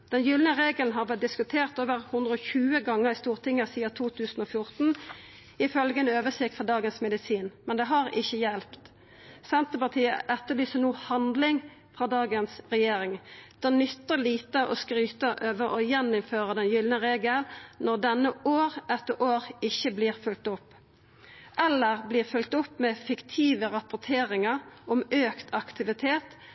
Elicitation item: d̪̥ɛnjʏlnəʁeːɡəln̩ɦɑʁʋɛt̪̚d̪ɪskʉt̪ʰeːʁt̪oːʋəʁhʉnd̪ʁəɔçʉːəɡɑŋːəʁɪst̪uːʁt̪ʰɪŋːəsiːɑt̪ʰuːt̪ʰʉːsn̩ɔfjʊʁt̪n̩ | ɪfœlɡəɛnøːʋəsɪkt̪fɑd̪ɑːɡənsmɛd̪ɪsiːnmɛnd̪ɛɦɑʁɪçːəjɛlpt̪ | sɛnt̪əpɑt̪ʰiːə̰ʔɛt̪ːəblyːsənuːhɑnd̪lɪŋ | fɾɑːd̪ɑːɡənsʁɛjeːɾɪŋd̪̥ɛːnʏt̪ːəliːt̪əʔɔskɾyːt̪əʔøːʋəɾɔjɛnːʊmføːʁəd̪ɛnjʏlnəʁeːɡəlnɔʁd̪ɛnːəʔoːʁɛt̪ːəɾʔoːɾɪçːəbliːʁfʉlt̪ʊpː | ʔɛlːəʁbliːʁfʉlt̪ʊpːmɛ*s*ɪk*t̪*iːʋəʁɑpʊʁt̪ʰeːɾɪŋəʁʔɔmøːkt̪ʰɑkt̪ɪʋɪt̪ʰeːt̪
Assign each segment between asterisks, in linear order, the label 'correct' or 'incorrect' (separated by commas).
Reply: incorrect, incorrect